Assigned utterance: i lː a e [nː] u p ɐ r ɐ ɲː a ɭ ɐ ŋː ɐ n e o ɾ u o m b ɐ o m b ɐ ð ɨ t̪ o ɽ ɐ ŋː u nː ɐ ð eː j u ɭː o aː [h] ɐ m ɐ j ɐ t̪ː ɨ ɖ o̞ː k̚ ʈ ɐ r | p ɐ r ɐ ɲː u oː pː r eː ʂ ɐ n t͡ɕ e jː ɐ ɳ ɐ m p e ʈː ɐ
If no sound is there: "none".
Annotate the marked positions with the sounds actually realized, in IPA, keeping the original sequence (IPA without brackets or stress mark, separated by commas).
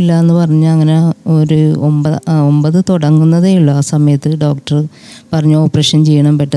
nː, s